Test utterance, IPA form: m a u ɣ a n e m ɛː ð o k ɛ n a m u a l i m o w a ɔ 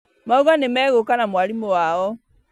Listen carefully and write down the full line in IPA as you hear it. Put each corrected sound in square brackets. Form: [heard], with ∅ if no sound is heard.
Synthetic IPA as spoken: m a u ɣ a n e m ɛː [ɣ] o k [a] n a m [w] a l i m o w a ɔ